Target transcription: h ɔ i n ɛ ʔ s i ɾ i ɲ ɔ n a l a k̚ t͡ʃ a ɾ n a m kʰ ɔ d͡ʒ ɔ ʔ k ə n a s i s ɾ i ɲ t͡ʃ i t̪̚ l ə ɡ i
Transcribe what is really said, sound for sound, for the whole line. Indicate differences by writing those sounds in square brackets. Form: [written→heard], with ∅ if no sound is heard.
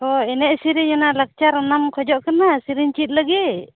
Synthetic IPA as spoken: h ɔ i n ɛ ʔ s i ɾ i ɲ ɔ n a l a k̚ t͡ʃ a ɾ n a m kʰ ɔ d͡ʒ ɔ ʔ k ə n a s i [s→∅] ɾ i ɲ t͡ʃ i t̪̚ l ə ɡ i